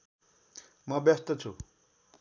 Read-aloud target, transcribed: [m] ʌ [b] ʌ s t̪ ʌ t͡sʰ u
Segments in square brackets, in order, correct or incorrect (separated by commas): correct, correct